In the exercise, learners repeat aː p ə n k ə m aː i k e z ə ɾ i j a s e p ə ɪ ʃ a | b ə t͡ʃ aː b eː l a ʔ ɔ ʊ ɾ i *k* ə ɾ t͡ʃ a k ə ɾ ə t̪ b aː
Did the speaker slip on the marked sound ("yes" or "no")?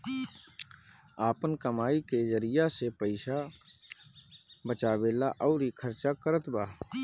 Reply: yes